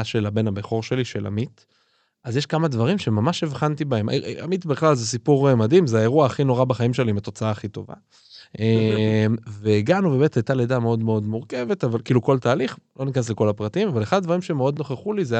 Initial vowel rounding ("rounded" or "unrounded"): unrounded